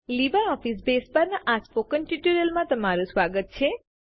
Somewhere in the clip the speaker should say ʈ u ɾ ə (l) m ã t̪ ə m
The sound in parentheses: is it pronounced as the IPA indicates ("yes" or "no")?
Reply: yes